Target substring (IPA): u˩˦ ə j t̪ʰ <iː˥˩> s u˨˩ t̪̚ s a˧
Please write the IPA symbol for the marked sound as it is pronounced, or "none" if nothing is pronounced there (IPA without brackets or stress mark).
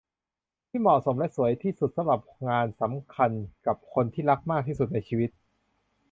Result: iː˥˩